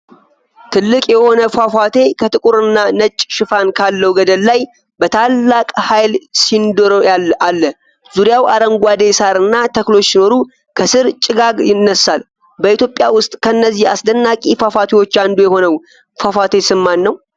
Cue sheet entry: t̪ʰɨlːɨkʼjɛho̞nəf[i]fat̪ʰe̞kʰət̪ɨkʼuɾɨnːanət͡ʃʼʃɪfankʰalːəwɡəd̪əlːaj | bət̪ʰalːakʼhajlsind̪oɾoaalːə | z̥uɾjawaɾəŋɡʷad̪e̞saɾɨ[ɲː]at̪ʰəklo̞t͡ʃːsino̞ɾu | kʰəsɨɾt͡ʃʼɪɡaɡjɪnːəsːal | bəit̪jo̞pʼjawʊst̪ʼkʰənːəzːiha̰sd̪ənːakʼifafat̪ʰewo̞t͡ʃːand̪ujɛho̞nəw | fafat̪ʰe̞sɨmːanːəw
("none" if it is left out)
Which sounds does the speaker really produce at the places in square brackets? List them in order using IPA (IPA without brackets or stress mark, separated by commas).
a, nː